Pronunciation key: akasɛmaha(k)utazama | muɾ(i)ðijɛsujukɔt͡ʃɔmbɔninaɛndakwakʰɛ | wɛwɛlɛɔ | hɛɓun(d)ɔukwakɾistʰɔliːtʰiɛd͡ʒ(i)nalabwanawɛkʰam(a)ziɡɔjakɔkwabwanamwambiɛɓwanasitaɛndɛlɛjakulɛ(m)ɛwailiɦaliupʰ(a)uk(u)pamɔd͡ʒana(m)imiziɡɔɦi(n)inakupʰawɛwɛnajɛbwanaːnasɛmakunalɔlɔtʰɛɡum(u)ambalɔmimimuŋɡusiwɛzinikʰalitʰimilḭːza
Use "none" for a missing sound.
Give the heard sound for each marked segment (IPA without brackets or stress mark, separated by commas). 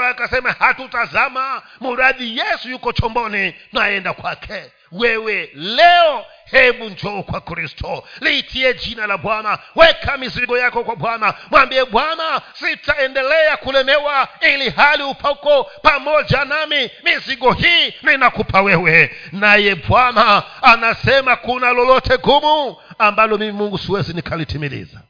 t, a, d͡ʒ, i, i, m, a, ɔ, m, n, u